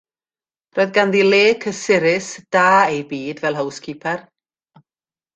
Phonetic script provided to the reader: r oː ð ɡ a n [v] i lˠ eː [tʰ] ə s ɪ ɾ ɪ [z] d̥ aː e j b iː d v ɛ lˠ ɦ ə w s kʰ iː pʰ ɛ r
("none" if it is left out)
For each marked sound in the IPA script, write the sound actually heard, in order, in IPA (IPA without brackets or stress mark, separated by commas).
ð, kʰ, s